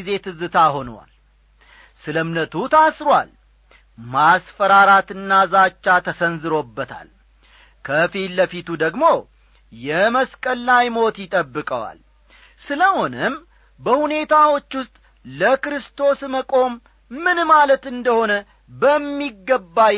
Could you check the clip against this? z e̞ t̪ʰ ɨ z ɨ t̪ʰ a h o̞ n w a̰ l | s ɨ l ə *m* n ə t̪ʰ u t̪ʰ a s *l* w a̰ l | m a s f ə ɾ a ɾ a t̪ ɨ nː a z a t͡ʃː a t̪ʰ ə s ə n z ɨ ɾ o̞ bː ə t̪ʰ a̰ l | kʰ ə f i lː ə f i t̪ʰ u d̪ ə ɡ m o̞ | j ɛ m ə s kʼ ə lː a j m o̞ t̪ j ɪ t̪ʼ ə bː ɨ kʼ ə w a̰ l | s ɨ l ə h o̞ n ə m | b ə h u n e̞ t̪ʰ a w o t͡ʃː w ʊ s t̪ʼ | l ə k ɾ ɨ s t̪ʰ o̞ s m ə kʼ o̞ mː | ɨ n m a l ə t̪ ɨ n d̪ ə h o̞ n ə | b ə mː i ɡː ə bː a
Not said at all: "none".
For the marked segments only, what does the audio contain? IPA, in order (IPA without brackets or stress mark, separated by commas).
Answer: m, ɾ